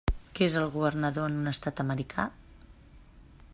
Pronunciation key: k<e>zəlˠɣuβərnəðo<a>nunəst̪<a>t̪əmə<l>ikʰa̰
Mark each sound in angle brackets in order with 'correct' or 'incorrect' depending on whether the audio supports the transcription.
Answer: correct, incorrect, correct, incorrect

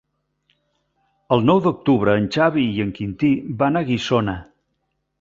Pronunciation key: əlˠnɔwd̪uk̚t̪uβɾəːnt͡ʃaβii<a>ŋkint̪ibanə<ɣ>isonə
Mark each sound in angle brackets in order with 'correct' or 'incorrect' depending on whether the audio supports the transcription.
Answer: incorrect, correct

